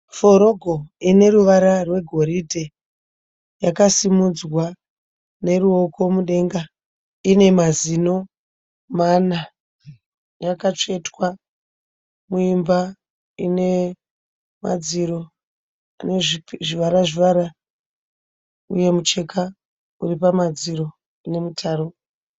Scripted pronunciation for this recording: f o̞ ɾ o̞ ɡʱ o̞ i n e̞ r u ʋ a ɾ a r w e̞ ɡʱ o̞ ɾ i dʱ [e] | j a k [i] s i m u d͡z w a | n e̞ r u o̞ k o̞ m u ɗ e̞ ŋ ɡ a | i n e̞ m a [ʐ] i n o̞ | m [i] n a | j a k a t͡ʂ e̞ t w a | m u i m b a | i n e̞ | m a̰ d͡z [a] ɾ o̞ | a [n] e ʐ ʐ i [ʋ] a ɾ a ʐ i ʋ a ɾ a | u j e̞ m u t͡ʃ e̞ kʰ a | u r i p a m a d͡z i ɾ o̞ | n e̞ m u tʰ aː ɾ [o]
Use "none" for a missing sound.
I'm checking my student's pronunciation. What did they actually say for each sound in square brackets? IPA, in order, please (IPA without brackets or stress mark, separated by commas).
e, a, z, a, i, n, ʋ, o